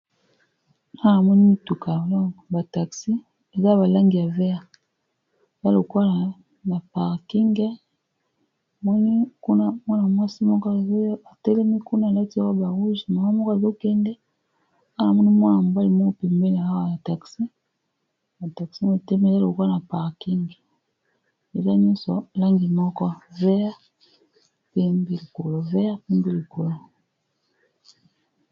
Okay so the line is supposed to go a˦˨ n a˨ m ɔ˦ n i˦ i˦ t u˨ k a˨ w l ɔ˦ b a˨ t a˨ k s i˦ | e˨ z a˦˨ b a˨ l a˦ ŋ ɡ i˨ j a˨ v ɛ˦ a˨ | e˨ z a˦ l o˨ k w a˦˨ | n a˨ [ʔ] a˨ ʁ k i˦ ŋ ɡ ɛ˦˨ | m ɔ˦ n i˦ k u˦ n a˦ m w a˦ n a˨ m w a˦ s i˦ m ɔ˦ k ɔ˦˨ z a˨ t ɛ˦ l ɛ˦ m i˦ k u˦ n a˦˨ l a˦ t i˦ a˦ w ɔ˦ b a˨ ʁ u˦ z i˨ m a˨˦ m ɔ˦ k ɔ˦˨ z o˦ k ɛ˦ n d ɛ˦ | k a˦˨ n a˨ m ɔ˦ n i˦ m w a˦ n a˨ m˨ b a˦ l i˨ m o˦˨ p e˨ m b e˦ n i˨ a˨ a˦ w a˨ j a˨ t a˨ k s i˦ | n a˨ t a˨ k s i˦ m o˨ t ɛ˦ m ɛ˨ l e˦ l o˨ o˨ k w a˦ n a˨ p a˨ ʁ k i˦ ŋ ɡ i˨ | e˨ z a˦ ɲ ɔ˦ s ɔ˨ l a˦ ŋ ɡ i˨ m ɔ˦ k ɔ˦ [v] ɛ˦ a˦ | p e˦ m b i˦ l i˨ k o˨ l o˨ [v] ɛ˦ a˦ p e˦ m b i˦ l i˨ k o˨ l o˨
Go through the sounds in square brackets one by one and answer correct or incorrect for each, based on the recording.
incorrect, correct, correct

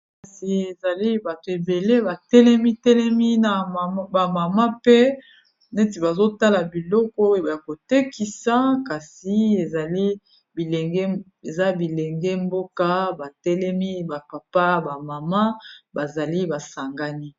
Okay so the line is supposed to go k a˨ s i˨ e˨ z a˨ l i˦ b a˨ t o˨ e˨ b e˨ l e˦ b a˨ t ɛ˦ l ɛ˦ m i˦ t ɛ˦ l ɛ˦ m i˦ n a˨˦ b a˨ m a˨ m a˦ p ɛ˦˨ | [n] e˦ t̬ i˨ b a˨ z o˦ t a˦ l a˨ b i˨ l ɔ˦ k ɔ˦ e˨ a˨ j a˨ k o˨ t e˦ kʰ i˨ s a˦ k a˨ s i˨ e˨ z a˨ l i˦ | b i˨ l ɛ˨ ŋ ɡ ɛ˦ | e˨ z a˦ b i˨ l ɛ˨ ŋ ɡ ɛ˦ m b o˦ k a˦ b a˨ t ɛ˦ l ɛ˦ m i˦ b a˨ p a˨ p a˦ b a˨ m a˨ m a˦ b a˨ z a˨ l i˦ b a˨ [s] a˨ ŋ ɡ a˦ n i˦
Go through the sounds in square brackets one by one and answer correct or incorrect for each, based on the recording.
correct, correct

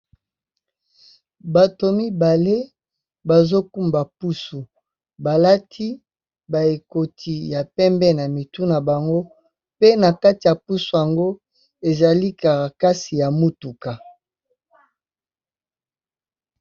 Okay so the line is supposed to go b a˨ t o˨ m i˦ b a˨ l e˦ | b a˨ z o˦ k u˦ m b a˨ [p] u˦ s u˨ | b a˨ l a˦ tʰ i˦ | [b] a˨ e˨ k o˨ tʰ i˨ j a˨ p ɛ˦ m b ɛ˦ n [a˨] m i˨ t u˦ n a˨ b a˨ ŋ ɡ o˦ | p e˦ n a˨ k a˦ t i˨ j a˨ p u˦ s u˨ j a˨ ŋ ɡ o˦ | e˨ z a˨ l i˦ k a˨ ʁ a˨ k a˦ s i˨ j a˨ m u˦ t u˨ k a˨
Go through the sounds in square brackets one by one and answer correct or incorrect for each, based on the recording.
correct, correct, correct

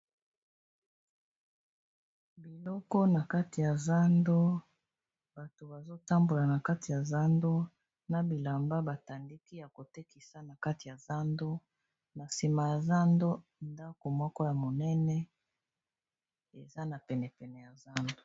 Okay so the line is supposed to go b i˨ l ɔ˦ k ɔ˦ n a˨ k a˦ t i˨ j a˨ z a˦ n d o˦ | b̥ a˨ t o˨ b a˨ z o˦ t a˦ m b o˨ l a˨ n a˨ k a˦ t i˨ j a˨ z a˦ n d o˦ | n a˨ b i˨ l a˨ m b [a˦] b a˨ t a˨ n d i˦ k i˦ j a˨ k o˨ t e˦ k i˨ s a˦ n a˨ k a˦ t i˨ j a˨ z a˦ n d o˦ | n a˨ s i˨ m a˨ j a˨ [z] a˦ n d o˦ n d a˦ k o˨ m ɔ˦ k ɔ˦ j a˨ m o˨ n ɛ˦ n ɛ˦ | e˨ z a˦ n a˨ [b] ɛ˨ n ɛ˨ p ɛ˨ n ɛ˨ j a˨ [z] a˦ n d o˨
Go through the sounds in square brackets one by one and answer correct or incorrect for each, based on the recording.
correct, correct, incorrect, correct

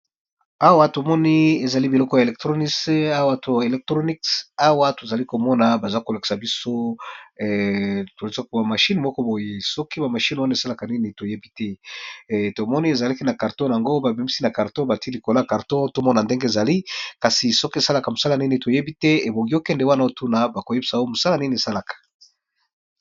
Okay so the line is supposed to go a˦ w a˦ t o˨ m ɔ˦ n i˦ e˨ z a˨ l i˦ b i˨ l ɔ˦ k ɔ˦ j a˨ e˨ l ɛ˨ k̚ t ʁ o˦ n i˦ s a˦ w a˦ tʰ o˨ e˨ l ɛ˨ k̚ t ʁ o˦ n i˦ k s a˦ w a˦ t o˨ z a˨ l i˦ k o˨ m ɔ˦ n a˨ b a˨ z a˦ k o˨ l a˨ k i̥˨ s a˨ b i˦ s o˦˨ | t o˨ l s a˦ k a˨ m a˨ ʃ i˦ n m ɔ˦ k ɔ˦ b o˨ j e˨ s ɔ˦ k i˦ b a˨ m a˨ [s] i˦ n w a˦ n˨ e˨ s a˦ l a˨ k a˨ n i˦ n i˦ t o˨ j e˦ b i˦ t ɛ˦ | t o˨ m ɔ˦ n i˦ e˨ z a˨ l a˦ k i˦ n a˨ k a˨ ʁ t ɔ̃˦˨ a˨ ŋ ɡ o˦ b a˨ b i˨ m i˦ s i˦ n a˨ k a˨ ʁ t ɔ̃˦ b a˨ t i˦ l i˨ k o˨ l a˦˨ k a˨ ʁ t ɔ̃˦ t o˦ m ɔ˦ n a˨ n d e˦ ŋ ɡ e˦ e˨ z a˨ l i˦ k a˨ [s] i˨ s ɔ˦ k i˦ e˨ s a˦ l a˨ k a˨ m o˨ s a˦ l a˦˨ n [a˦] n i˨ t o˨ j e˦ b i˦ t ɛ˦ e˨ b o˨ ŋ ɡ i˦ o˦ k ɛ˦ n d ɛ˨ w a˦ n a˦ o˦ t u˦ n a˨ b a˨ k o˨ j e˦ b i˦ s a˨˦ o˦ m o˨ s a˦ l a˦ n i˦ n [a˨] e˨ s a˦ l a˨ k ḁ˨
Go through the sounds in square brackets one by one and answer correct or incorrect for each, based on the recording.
incorrect, correct, incorrect, incorrect

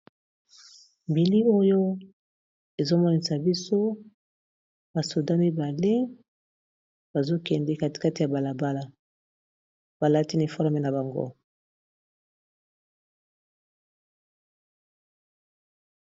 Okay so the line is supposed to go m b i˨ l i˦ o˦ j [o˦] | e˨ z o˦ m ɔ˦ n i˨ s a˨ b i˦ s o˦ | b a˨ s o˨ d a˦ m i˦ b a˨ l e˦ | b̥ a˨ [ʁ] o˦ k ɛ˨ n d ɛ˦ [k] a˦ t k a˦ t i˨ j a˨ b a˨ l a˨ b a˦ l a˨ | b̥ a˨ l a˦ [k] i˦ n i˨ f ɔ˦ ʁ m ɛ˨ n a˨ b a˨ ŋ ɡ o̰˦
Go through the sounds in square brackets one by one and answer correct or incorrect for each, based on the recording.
correct, incorrect, correct, incorrect

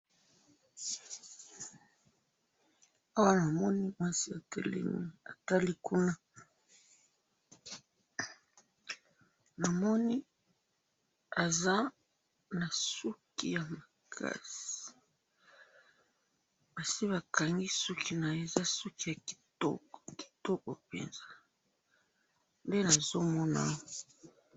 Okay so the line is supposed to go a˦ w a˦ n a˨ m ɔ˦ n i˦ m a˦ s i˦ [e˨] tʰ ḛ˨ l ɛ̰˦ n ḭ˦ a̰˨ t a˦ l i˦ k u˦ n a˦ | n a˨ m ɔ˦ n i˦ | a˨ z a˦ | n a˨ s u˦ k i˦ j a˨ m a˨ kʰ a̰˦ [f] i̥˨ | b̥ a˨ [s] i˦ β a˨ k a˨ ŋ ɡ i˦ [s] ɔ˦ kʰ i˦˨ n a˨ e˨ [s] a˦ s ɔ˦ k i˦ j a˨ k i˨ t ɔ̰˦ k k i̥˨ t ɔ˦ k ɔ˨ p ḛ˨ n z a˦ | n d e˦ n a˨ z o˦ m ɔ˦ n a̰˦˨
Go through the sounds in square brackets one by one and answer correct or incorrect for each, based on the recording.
incorrect, incorrect, correct, correct, incorrect

